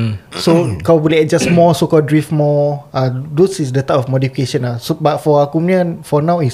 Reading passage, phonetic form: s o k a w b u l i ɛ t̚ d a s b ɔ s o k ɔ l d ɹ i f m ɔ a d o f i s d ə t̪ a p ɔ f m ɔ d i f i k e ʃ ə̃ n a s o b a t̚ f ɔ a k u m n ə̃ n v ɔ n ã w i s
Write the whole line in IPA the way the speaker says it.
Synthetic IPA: s o k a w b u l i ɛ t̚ d͡ʒ a s m ɔ s o k ɔ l d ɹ i f m ɔ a d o s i s d ə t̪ a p ɔ f m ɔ d i f i k e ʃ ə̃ n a s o b a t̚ f ɔ a k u m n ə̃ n f ɔ n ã w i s